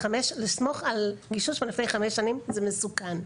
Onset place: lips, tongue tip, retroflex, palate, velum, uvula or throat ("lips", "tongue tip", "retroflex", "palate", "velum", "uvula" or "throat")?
lips